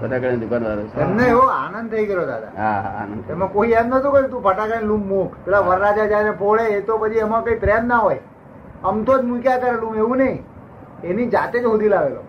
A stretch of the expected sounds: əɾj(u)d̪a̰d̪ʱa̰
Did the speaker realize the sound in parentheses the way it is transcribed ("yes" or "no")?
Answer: no